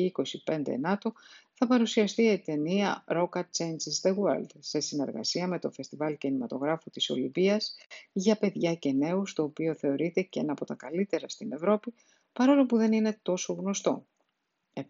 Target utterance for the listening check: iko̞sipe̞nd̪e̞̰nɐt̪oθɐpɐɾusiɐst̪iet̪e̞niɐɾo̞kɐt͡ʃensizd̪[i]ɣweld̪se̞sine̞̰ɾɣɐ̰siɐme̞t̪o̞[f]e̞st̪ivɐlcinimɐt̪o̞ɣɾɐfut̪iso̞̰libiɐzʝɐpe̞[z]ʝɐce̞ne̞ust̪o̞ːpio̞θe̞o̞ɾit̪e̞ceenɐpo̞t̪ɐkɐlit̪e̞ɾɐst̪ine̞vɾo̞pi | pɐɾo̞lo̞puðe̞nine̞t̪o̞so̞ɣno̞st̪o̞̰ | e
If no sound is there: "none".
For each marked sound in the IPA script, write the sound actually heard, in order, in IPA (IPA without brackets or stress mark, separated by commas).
e, f, ð